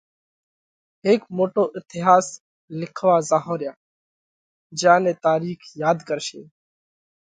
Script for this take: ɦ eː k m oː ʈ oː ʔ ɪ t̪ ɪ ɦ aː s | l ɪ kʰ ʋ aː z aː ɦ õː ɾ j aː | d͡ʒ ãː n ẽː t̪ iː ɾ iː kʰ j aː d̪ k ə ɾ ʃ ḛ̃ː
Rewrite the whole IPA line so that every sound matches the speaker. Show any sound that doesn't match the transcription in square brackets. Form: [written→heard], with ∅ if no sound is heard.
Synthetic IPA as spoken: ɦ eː k m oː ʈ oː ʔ ɪ t̪ ɪ ɦ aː s | l ɪ kʰ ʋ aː z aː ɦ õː ɾ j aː | d͡ʒ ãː n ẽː t̪ [iː→aː] ɾ iː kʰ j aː d̪ k ə ɾ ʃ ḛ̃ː